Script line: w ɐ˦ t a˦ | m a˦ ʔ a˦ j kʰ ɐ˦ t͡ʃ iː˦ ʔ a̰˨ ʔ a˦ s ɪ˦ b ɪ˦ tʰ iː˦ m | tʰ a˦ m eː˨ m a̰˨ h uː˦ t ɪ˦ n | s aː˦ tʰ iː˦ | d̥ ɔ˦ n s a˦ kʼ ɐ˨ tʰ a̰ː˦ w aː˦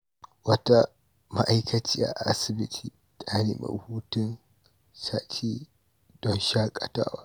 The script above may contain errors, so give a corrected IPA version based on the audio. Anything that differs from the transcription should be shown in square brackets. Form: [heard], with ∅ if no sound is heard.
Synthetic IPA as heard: w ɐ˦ t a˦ | m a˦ ʔ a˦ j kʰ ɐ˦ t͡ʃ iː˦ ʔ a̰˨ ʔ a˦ s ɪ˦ b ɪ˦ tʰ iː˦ [∅] | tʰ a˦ [n] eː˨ m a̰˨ h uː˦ t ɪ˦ n | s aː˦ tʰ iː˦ | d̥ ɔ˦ n [ʃ] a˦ kʼ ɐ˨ [t] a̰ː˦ w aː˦

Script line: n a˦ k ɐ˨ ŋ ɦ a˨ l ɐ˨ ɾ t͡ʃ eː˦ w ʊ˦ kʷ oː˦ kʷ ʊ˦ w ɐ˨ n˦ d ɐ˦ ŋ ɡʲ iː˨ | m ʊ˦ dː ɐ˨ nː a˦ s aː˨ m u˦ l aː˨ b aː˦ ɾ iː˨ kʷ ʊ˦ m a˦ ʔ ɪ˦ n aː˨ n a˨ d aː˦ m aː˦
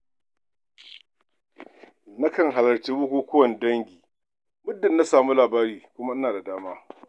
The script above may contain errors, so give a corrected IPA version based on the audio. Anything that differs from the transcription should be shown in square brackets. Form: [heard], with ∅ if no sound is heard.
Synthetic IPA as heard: n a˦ k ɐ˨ ŋ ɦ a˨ l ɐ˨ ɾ t͡ʃ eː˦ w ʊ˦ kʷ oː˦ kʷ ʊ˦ w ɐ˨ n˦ d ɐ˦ ŋ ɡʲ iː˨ | m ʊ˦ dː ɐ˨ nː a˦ s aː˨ m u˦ l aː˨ b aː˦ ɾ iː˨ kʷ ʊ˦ m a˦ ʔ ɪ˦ n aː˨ [d] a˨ d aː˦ m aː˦

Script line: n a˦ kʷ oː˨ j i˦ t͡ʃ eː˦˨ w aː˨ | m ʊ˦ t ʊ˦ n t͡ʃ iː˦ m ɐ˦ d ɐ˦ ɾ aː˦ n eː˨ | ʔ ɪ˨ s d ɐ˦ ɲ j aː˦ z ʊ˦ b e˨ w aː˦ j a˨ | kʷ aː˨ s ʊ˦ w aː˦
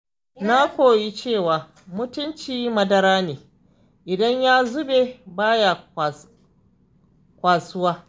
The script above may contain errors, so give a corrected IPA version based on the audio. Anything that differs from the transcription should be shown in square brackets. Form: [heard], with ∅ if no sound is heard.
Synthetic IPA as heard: n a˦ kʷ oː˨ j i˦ t͡ʃ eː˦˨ w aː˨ | m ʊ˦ t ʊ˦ n t͡ʃ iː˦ m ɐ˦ d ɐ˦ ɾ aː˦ n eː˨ | ʔ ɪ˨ [∅] d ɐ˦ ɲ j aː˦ z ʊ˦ b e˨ [b] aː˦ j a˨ | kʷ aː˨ s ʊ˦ w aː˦

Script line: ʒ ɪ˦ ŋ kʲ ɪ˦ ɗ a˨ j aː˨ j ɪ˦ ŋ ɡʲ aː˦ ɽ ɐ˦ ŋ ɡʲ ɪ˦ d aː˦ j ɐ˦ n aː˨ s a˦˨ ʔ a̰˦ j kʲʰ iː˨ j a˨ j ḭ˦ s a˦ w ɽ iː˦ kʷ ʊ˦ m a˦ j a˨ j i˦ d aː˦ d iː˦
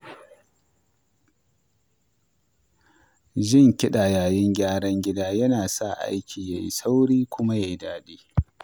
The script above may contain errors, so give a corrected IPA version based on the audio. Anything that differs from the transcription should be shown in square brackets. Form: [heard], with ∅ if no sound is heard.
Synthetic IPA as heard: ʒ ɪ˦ ŋ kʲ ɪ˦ ɗ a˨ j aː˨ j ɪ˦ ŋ ɡʲ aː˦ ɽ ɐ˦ ŋ ɡʲ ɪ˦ d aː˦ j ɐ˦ n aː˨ s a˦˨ ʔ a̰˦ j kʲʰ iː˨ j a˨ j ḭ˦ s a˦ w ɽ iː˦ kʷ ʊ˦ m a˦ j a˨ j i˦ d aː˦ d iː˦

